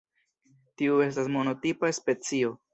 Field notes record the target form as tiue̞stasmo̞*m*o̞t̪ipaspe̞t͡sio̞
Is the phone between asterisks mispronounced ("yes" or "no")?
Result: yes